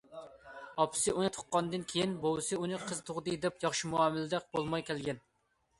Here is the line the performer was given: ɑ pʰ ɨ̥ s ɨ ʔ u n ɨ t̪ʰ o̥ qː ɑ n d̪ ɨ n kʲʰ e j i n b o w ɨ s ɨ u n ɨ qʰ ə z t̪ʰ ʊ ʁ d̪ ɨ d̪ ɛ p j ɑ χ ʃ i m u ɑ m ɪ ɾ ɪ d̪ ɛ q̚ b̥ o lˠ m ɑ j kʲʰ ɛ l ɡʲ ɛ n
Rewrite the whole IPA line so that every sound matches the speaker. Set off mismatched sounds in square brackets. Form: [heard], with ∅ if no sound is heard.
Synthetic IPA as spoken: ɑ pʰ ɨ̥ s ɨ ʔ u n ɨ t̪ʰ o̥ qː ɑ n d̪ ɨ n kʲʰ e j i n b o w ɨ s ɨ u n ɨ qʰ ə z t̪ʰ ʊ ʁ d̪ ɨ d̪ ɛ p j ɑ χ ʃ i m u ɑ m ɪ [l] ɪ d̪ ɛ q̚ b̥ o lˠ m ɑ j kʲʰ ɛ l ɡʲ ɛ n